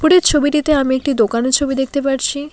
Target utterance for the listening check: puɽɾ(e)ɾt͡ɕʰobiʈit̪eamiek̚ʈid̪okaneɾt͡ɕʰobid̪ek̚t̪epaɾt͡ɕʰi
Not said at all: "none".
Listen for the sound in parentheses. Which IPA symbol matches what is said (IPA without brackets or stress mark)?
e